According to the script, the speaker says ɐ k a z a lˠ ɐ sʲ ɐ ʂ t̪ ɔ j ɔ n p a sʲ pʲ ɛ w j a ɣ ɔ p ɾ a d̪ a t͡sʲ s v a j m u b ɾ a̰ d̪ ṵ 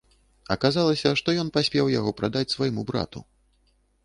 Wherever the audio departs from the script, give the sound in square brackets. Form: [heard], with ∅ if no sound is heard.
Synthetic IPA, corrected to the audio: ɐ k a z a lˠ ɐ sʲ ɐ ʂ t̪ ɔ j ɔ n p a sʲ pʲ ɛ w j a ɣ ɔ p ɾ a d̪ a t͡sʲ s v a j m u b ɾ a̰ [t̪] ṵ